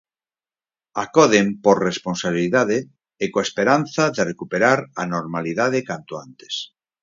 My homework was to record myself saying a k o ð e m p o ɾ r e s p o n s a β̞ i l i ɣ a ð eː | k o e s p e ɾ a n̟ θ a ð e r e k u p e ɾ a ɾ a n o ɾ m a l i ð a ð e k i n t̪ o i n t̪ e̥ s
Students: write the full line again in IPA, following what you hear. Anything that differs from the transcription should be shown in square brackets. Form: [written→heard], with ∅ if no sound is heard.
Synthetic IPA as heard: a k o ð e m p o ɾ r e s p o n s a β̞ i l i [ɣ→ð] a ð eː | k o e s p e ɾ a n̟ θ a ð e r e k u p e ɾ a ɾ a n o ɾ m a l i ð a ð e k [i→a] n t̪ o [i→a] n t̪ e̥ s